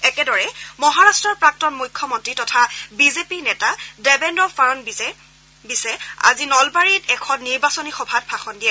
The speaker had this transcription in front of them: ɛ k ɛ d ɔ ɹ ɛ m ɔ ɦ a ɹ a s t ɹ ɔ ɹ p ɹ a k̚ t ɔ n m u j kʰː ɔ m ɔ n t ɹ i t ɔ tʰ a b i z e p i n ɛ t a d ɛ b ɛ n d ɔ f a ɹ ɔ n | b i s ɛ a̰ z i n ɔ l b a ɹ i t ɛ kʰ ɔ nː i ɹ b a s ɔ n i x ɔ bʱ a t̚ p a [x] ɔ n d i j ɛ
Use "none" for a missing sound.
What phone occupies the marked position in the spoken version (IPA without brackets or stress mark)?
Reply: x